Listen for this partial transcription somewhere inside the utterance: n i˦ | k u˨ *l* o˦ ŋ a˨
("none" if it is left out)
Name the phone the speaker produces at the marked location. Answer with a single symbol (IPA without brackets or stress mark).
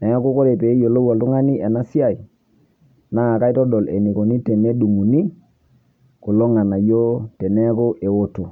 l